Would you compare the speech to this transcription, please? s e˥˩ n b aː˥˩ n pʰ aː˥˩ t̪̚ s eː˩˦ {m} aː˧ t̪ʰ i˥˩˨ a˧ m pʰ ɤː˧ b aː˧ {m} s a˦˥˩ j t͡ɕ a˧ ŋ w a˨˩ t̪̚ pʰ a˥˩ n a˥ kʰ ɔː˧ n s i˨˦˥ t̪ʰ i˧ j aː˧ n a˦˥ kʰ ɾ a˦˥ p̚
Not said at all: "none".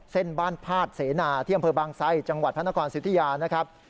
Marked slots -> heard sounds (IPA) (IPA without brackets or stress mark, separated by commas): n, ŋ